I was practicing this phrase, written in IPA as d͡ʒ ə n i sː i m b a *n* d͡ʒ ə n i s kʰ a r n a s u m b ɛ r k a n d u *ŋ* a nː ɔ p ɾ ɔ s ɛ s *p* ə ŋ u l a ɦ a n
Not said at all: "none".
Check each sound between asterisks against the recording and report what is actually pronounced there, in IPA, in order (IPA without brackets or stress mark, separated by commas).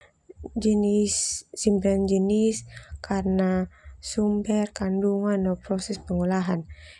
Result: n, ŋ, p